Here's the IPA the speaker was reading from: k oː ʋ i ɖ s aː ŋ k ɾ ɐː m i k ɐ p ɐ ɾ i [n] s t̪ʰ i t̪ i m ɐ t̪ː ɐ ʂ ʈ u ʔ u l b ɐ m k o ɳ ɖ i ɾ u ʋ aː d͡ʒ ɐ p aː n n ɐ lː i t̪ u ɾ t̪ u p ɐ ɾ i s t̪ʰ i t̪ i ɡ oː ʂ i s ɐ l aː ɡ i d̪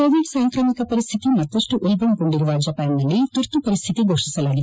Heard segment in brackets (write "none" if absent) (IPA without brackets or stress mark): none